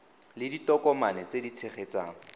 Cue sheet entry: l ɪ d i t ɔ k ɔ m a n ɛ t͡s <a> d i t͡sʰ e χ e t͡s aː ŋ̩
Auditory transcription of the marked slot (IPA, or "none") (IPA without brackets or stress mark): e